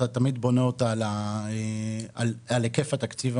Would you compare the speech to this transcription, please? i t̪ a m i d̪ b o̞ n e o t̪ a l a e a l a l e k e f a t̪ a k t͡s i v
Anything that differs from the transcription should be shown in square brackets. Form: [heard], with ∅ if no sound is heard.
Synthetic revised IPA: [a] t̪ a m i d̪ b o̞ n e o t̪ a l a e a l a l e k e f a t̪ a k t͡s i v